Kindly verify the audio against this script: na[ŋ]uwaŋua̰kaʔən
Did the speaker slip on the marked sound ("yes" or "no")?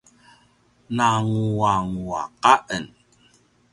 no